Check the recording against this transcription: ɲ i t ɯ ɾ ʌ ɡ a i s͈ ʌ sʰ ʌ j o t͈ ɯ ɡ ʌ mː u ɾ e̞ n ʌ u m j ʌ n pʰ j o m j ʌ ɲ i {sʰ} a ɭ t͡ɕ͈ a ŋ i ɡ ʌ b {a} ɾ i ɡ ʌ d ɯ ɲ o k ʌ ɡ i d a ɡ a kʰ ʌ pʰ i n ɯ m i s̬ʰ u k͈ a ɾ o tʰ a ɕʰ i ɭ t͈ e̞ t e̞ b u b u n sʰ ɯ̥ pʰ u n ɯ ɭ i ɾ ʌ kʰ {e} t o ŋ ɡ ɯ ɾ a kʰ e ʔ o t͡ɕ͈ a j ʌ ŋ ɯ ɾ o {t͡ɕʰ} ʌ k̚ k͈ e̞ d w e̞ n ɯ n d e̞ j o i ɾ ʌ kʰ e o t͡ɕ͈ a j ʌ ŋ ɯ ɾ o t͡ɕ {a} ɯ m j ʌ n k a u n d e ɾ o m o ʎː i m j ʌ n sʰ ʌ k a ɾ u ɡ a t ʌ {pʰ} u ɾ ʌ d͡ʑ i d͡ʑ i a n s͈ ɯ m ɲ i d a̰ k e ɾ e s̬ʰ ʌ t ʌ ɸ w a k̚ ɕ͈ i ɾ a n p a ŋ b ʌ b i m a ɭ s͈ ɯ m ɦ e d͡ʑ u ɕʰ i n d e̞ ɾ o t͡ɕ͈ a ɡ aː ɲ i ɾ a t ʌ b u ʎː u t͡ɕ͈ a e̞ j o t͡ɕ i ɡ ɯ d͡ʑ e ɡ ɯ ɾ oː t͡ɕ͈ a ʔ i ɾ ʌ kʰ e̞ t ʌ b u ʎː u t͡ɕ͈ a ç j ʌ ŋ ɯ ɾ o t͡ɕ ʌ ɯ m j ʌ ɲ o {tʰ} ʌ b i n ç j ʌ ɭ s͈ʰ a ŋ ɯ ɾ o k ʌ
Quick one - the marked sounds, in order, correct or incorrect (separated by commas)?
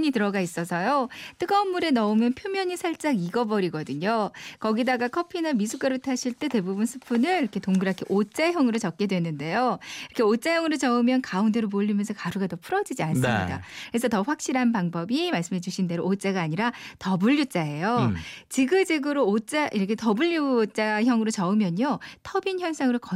correct, incorrect, correct, incorrect, incorrect, correct, correct